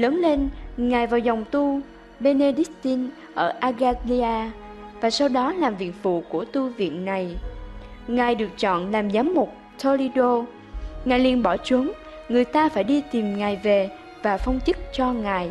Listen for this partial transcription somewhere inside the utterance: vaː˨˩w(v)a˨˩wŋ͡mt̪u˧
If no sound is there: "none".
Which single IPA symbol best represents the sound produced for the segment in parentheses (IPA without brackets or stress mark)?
z